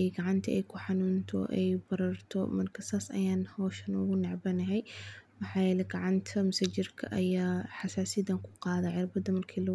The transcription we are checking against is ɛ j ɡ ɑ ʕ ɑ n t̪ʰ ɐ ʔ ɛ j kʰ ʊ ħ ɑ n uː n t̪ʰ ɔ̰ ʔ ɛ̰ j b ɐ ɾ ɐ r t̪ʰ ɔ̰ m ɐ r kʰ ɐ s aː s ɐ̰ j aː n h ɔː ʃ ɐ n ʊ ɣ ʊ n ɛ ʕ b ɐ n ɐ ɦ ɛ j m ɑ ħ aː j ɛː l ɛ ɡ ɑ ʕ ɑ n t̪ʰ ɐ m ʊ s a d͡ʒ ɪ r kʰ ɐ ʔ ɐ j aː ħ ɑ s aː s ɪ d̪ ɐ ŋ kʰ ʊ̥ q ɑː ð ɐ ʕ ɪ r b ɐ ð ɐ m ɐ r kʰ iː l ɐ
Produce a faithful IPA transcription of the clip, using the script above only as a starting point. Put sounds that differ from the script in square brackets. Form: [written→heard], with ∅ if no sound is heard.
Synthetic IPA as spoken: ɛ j ɡ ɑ ʕ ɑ n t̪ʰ ɐ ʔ ɛ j kʰ ʊ ħ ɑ n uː n t̪ʰ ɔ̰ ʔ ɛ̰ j b ɐ ɾ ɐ r t̪ʰ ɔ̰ m ɐ r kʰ ɐ s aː s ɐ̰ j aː n h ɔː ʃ ɐ n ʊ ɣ ʊ n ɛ ʕ b ɐ n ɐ ɦ ɛ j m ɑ ħ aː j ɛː l ɛ ɡ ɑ ʕ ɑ n t̪ʰ ɐ m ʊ s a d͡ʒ ɪ r kʰ ɐ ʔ ɐ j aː ħ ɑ s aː s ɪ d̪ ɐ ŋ kʰ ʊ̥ q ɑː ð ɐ ʕ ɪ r b ɐ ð ɐ m ɐ r kʰ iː l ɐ